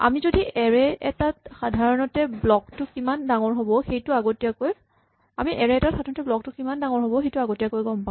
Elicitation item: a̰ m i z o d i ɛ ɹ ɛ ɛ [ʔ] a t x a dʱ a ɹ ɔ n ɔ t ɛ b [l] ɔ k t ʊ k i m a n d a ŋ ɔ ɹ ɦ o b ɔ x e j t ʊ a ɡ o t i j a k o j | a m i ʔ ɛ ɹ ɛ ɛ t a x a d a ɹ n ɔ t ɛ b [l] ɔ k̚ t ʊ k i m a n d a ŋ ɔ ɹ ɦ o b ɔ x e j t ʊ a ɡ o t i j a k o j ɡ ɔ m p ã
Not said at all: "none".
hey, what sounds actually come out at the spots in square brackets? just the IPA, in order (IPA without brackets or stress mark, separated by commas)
t, l, l